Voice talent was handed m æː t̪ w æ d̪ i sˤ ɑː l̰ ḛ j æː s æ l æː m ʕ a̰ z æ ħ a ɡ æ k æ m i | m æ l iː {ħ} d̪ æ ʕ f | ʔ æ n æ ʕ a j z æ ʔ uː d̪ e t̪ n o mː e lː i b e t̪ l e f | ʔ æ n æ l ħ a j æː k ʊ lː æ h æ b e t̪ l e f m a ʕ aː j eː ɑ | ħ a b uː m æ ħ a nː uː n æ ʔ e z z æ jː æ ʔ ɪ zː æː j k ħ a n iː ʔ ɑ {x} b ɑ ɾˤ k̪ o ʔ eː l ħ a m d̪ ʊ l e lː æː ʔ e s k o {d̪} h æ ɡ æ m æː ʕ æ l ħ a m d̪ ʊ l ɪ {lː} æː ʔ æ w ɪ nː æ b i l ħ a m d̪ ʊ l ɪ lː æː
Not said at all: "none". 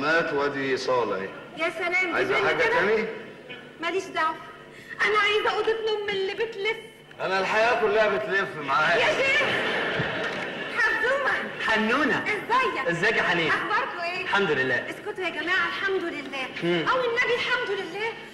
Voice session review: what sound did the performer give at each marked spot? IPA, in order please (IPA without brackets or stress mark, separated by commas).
ʃ, x, t̪, lː